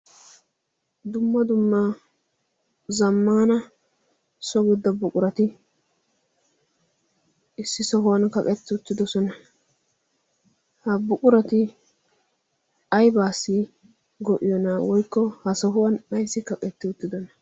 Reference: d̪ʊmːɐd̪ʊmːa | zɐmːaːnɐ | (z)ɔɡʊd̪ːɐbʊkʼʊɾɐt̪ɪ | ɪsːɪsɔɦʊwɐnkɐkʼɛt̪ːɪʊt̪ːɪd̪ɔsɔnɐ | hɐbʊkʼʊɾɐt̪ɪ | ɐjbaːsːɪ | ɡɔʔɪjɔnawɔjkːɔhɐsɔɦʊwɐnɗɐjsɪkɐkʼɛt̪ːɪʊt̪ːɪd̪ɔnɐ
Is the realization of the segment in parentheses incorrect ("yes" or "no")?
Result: yes